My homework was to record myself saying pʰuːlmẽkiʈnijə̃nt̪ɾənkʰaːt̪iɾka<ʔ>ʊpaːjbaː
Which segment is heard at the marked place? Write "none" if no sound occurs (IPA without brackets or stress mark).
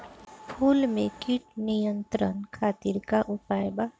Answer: ʔ